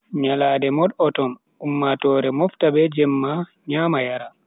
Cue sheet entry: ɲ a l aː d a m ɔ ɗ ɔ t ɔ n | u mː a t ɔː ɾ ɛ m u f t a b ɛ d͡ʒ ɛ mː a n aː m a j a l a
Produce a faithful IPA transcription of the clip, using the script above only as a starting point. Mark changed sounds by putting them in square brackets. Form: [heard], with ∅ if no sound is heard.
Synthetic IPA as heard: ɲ a l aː d [ɛ] m ɔ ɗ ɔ t ɔ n | u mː a t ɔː ɾ ɛ m [ɔ] f t a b ɛ d͡ʒ ɛ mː a [ɲ] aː m a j a [ɾ] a